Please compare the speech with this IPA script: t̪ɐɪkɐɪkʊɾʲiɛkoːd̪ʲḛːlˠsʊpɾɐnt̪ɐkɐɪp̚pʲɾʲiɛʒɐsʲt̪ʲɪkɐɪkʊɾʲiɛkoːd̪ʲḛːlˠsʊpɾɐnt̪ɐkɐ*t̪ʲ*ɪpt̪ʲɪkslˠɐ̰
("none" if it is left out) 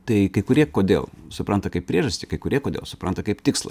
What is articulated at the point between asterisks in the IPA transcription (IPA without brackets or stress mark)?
none